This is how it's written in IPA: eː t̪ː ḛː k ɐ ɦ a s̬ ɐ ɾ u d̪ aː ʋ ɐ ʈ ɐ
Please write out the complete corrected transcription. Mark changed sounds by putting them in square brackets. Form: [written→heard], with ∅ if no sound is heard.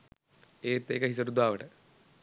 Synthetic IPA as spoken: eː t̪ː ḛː k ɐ ɦ [a→i] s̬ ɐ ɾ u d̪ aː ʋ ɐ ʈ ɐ